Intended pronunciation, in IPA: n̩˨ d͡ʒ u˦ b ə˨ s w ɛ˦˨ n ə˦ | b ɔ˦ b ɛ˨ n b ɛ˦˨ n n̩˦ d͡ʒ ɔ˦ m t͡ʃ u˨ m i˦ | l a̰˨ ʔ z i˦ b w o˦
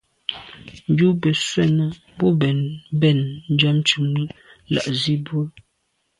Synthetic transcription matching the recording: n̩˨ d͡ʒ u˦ b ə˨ s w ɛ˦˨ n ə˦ | b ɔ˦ b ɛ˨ n b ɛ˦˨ n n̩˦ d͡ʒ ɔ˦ m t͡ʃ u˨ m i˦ | l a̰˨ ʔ z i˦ b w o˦